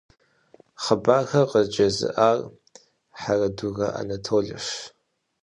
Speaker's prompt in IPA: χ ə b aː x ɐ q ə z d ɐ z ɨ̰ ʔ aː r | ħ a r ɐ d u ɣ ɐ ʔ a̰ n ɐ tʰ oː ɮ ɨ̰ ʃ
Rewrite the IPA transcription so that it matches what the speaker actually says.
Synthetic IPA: χ ə b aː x ɐ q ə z d͡ʒ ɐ z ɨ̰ ʔ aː r | ħ a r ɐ d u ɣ ɐ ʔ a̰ n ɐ tʰ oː ɮ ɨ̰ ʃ